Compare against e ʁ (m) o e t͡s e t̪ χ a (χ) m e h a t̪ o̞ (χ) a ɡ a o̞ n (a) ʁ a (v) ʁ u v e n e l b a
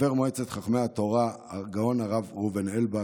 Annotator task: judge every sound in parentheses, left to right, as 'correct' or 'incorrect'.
correct, correct, incorrect: ʁ, correct, correct

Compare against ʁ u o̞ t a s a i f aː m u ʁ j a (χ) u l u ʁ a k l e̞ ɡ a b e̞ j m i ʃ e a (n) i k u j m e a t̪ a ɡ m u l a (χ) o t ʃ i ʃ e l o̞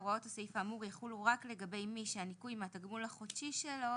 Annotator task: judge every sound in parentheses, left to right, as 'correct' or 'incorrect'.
correct, correct, correct

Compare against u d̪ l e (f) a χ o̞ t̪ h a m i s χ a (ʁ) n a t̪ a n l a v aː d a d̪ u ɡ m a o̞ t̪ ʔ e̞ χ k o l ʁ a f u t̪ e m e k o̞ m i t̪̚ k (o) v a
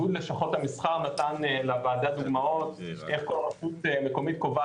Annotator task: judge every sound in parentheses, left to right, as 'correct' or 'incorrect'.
incorrect: ʃ, correct, correct

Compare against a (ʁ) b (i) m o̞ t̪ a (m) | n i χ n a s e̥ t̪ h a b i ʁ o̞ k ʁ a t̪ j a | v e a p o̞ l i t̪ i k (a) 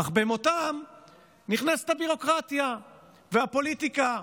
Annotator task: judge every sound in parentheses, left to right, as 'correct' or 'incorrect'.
incorrect: χ, incorrect: e, correct, correct

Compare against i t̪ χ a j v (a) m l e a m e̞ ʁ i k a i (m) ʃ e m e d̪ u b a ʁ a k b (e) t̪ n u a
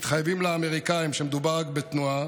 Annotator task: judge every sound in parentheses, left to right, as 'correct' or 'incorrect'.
incorrect: i, correct, correct

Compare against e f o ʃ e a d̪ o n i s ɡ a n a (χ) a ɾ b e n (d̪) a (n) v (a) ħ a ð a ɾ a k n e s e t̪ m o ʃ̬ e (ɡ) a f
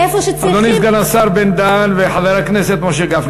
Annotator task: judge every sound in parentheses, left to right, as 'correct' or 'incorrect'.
incorrect: s, correct, correct, incorrect: e, correct

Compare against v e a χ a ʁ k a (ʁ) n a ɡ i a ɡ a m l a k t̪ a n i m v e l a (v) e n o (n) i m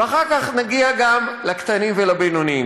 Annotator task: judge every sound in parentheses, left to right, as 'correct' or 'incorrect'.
incorrect: χ, incorrect: b, correct

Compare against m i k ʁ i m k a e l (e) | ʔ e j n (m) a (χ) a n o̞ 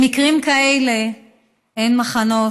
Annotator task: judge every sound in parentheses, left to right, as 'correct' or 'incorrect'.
correct, correct, correct

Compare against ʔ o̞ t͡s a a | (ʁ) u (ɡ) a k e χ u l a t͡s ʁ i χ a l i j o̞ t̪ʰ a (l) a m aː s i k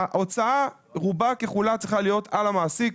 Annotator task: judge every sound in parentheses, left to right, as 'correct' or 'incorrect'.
correct, incorrect: b, correct

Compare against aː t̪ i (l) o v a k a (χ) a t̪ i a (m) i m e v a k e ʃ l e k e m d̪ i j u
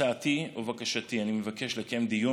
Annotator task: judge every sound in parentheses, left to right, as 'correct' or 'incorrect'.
incorrect: none, incorrect: ʃ, incorrect: n

